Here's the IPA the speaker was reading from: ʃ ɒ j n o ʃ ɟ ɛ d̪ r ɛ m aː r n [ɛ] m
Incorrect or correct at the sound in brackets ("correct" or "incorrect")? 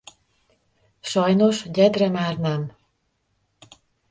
correct